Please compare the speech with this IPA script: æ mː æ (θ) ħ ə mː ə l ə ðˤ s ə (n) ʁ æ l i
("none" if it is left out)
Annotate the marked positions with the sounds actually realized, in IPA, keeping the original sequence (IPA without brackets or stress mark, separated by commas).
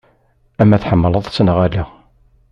θ, n